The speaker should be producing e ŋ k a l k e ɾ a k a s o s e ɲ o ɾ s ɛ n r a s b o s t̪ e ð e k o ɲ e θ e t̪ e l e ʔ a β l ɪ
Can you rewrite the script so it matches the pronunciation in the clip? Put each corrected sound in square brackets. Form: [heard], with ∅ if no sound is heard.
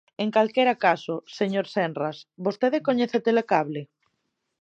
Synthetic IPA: e ŋ k a l k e ɾ a k a s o s e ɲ o ɾ s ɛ n r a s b o s t̪ e ð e k o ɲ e θ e t̪ e l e [k] a β l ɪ